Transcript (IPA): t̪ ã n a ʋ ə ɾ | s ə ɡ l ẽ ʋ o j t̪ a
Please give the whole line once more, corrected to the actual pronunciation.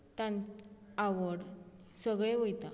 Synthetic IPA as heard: t̪ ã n a ʋ ə ɽ | s ə ɡ ɭ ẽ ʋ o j t̪ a